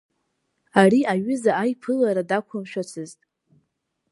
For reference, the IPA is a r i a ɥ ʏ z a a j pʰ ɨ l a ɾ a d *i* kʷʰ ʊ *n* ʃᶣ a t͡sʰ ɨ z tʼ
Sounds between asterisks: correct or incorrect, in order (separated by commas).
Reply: incorrect, incorrect